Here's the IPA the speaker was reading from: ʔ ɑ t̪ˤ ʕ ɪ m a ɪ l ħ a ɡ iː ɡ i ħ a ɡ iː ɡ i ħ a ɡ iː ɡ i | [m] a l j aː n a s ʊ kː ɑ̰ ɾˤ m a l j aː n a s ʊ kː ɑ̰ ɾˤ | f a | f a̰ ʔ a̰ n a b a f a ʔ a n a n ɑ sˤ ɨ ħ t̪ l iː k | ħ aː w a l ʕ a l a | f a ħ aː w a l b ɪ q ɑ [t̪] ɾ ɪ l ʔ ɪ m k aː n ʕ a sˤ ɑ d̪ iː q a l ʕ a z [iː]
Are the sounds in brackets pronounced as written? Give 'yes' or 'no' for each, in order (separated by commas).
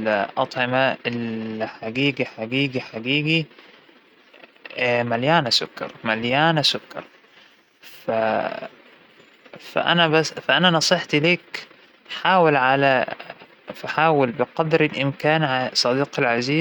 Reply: yes, no, yes